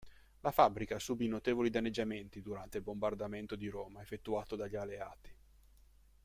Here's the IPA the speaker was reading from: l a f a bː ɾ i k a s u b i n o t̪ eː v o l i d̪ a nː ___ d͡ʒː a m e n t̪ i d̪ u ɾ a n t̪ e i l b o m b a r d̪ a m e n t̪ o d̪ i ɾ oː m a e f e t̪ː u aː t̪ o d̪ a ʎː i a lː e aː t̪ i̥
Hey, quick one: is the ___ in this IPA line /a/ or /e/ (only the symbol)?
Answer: e